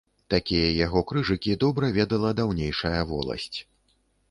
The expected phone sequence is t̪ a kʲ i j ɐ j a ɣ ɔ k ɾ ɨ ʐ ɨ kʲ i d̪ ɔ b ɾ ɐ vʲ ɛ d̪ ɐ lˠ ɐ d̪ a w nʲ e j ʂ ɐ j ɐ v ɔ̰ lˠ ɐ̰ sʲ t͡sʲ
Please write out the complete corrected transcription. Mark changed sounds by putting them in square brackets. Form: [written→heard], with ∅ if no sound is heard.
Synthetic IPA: t̪ a kʲ i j ɐ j a ɣ ɔ k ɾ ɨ ʐ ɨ kʲ i d̪ ɔ b ɾ ɐ vʲ ɛ d̪ ɐ lˠ ɐ d̪ a w nʲ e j ʂ ɐ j ɐ v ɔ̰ lˠ ɐ̰ sʲ t͡sʲ